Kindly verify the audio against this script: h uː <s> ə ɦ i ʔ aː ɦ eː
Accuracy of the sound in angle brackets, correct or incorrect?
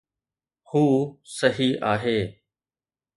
correct